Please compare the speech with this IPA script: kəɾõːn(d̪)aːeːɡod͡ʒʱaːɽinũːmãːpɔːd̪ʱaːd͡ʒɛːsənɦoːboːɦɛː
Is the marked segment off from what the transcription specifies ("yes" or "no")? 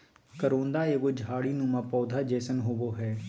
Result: no